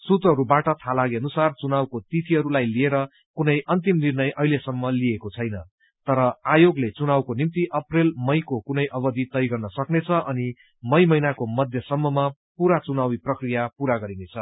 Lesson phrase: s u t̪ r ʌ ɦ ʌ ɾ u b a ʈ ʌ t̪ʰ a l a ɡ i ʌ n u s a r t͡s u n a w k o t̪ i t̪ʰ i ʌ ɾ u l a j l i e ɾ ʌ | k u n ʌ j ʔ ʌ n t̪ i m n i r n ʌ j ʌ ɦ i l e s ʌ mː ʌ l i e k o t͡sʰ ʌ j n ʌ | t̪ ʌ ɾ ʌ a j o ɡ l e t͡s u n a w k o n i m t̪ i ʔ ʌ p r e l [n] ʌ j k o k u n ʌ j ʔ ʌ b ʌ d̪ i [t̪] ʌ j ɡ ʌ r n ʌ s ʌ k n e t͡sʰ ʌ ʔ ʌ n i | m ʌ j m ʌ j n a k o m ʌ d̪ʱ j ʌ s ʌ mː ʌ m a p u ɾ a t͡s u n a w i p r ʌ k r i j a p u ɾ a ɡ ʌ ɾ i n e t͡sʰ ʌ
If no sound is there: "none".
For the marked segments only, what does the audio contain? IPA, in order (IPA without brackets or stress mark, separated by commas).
m, t̪